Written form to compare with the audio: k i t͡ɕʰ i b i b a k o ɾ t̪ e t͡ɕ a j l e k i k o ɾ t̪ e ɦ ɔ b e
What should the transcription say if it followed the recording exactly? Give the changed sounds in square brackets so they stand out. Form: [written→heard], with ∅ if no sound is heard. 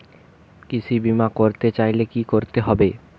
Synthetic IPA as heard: k i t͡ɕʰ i b i [b→m] a k o ɾ t̪ e t͡ɕ a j l e k i k o ɾ t̪ e ɦ ɔ b e